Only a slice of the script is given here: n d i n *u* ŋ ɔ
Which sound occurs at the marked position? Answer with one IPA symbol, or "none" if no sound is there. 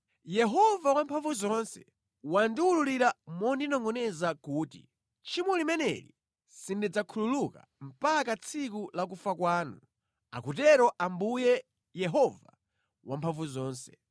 ɔ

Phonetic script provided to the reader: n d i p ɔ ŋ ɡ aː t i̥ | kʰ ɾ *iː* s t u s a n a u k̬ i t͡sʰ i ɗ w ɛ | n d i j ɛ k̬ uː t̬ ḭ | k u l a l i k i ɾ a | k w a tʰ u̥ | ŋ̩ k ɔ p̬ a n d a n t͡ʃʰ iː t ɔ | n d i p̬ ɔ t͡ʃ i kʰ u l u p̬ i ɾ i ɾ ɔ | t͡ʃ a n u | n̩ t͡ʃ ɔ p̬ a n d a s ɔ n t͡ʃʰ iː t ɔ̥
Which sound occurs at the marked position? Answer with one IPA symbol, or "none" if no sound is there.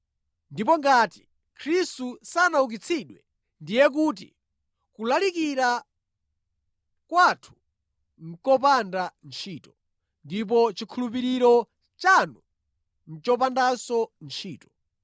i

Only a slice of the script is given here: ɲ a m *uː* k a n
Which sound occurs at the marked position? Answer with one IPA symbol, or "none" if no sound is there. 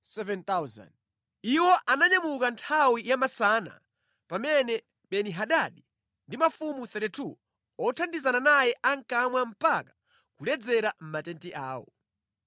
u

